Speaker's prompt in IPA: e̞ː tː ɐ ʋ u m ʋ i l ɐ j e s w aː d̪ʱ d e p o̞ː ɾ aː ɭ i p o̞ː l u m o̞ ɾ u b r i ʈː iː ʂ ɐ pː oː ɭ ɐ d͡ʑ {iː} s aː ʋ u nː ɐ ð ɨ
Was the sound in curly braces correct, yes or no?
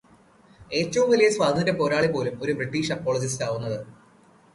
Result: no